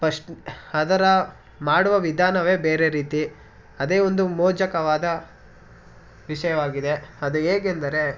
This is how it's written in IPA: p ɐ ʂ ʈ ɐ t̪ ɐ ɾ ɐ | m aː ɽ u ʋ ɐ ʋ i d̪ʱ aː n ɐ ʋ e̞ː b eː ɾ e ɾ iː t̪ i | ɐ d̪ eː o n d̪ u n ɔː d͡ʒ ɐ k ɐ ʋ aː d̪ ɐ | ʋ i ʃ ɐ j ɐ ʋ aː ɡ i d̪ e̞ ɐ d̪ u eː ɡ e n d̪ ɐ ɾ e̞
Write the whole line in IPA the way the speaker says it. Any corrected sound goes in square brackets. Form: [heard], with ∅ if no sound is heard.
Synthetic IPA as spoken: p ɐ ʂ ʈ ɐ [d̪] ɐ ɾ ɐ | m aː ɽ u ʋ ɐ ʋ i d̪ʱ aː n ɐ ʋ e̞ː b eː ɾ e ɾ iː t̪ i | ɐ d̪ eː o n d̪ u [m] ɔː d͡ʒ ɐ k ɐ ʋ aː d̪ ɐ | ʋ i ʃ ɐ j ɐ ʋ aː ɡ i d̪ e̞ ɐ d̪ u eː ɡ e n d̪ ɐ ɾ e̞